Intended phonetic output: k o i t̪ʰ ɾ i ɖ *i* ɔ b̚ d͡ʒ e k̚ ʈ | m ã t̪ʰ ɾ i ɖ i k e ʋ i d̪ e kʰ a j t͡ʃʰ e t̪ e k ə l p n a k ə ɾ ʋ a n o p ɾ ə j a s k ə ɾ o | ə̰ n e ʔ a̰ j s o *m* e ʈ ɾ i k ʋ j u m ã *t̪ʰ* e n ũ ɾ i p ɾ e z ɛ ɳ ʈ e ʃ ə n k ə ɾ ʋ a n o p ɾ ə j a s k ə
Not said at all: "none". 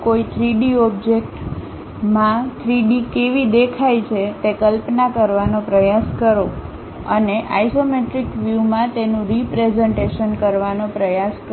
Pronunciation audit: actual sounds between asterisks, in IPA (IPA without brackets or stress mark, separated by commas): i, m, t̪